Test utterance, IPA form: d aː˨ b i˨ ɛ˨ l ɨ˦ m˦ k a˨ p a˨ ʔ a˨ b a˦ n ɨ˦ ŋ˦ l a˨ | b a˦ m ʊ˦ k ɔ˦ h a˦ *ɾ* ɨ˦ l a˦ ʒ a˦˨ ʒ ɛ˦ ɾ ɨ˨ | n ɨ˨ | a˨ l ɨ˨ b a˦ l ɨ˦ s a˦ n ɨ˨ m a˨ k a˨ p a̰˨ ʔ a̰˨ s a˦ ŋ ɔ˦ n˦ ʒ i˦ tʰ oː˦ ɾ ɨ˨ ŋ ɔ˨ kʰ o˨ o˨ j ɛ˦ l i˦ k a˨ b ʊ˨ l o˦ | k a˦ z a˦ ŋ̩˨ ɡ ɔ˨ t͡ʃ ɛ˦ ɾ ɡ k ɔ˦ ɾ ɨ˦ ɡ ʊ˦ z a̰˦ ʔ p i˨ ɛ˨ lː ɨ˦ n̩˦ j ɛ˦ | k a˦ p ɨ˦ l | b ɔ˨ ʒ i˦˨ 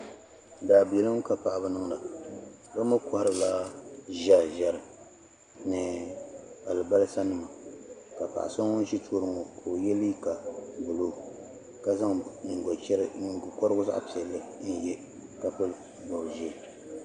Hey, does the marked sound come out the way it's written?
yes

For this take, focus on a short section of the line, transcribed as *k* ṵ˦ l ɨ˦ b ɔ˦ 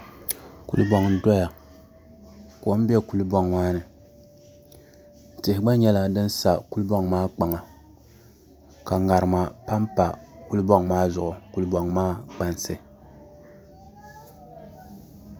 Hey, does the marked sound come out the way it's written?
yes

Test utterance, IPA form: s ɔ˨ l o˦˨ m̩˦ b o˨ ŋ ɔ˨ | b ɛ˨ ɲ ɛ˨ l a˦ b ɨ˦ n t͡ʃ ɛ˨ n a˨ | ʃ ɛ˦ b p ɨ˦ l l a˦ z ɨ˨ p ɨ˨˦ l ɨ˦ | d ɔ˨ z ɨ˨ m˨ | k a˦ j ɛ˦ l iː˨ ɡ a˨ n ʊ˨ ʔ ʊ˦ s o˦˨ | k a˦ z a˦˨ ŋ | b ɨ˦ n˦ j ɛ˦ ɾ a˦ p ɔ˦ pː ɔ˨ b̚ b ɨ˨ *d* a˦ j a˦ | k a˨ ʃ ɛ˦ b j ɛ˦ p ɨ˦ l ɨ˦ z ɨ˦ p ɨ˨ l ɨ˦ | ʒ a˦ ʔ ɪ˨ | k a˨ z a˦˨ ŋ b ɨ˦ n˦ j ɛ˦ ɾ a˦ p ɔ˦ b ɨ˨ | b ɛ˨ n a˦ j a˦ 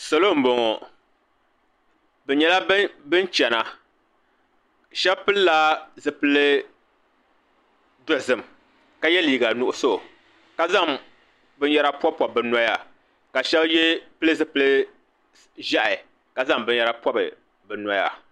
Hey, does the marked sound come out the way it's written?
no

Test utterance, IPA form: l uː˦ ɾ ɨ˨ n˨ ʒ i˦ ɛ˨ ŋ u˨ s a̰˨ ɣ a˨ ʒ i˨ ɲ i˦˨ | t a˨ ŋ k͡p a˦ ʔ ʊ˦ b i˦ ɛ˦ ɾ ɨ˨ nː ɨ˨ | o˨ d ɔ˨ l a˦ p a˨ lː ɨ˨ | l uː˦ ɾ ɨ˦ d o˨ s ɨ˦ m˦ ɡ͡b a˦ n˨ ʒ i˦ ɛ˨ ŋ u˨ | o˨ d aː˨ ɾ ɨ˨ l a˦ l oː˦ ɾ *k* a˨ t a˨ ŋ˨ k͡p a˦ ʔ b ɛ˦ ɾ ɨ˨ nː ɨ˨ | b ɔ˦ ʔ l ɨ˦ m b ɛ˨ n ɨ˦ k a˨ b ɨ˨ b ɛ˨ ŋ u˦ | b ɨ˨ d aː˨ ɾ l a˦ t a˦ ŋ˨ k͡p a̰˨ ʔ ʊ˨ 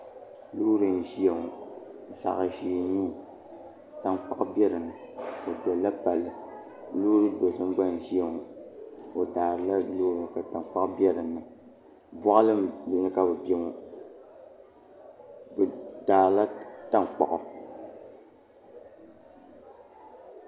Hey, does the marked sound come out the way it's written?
yes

